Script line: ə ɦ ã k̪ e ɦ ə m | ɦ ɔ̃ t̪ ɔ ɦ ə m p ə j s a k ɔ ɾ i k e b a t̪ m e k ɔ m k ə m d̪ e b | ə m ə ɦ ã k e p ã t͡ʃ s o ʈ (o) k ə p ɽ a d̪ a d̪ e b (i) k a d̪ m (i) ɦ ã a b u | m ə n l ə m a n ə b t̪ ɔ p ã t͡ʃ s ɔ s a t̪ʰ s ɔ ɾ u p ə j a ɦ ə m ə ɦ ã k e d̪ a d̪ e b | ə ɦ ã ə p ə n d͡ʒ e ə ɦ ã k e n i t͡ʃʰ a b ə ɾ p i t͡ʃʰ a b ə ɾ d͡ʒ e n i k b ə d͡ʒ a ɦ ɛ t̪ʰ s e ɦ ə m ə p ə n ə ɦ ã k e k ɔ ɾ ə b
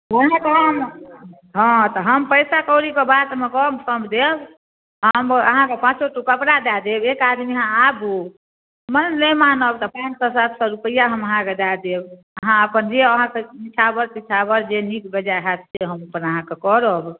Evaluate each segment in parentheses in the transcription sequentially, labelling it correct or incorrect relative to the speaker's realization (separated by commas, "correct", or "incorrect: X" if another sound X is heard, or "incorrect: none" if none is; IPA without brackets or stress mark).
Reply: incorrect: u, incorrect: e, correct